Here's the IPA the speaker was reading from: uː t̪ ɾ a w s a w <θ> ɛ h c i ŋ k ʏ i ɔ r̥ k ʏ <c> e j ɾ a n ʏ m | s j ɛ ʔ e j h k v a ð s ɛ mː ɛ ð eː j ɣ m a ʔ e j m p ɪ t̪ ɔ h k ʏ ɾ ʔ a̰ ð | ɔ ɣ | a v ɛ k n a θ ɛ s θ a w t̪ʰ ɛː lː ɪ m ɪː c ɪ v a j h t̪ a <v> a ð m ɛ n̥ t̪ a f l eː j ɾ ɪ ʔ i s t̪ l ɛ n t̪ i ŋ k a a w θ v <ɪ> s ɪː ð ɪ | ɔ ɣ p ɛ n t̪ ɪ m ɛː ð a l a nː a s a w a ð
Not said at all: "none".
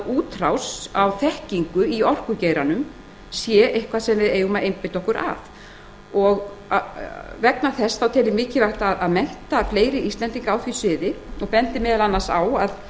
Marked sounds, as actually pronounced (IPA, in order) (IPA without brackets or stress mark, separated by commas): θ, c, ð, i